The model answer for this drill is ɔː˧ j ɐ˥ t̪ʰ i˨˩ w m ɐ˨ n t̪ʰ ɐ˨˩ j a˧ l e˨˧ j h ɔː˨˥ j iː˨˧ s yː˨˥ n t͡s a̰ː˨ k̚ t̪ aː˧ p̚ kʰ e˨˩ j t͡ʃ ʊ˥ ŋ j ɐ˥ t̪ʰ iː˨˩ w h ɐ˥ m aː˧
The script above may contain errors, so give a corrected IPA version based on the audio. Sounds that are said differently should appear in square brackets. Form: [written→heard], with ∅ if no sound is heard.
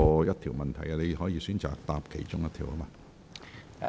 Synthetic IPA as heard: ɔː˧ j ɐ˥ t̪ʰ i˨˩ w m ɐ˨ n t̪ʰ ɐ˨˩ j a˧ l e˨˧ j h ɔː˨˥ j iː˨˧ s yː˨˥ n t͡s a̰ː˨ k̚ t̪ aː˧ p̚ kʰ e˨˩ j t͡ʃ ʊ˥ ŋ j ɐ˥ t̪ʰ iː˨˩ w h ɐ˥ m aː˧